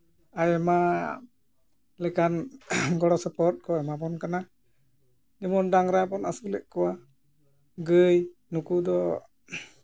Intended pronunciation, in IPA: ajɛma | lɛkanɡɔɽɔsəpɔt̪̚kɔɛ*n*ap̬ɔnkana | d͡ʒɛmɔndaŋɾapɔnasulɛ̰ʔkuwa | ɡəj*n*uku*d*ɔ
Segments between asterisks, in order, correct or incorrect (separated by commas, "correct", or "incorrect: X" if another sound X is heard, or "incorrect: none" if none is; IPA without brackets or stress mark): incorrect: m, correct, correct